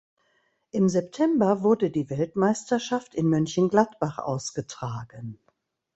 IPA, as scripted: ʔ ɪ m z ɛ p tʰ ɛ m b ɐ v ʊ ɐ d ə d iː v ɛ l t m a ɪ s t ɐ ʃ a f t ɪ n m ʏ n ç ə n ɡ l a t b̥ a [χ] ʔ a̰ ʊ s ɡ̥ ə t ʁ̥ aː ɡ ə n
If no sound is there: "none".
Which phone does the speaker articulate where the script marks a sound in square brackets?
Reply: χ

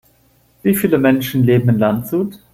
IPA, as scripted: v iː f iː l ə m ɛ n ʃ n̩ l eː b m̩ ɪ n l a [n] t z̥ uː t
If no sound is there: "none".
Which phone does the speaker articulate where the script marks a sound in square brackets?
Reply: n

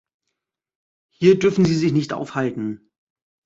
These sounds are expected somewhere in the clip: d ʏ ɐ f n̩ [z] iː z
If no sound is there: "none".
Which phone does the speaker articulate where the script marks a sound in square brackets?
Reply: z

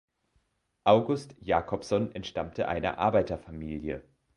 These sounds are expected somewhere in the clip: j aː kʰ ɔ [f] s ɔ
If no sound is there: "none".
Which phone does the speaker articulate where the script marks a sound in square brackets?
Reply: f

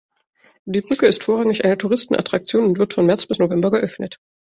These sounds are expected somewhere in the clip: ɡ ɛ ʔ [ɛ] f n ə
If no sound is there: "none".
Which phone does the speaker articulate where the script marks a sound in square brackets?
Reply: œ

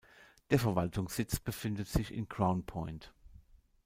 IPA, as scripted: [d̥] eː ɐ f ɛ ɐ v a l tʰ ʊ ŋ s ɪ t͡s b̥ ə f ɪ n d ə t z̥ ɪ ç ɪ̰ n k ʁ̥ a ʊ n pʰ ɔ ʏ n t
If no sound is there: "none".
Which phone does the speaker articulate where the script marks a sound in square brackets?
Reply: d̥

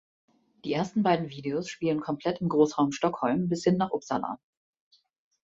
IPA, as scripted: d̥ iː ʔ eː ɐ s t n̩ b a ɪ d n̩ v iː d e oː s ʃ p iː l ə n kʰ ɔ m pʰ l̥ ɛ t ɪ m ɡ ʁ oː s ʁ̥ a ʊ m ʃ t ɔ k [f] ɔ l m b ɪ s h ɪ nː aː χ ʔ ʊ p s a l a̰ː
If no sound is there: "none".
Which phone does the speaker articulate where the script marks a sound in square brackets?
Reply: h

